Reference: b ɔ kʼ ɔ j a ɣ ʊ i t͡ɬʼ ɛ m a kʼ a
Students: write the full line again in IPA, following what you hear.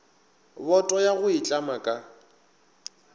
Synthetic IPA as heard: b ɔ tʼ ɔ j a ɣ ʊ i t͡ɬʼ a m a kʼ a